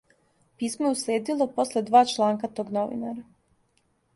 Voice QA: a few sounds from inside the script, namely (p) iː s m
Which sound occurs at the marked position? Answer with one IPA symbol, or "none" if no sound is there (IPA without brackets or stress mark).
p